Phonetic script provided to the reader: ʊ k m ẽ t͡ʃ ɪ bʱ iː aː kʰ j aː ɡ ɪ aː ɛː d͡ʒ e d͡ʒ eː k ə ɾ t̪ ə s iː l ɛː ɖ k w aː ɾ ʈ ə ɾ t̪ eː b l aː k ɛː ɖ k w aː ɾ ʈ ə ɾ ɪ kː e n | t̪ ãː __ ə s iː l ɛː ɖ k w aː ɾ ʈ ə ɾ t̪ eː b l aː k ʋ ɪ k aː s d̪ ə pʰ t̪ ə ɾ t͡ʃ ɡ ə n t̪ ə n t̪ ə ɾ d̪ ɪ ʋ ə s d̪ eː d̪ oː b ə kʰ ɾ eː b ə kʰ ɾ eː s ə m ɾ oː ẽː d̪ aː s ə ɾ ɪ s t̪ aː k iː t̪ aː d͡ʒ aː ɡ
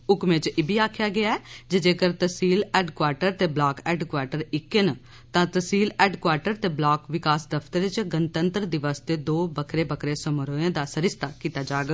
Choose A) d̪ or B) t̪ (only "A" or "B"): B